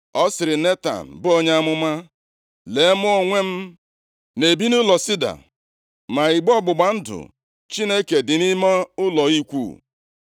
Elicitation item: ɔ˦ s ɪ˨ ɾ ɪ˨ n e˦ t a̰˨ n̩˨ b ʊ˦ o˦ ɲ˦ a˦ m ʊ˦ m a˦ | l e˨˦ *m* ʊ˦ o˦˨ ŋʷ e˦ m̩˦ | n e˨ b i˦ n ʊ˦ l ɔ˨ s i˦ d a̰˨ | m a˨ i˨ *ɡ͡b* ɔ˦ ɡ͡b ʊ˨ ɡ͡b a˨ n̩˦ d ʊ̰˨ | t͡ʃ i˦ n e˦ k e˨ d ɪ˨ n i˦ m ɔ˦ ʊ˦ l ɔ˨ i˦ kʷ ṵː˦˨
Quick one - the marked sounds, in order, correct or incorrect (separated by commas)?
correct, correct